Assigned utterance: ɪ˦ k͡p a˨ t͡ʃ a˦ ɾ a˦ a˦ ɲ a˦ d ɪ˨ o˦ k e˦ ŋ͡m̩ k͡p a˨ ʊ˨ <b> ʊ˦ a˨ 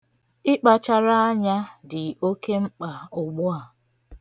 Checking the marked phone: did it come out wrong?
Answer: yes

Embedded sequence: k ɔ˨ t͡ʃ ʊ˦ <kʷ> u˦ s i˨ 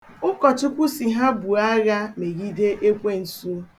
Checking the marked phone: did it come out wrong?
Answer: no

